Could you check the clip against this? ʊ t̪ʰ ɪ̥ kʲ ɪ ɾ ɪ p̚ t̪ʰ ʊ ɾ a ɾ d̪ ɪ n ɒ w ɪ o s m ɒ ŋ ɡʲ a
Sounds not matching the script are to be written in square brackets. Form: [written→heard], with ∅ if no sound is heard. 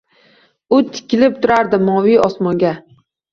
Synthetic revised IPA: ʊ t̪ʰ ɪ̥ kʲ ɪ [ɾ→l] ɪ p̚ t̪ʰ ʊ ɾ a ɾ d̪ ɪ [n→m] ɒ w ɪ [o→ɒ] s m ɒ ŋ ɡʲ a